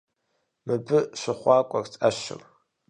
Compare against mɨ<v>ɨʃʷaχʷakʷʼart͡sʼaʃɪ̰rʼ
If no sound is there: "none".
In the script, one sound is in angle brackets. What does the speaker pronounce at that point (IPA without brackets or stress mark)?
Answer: b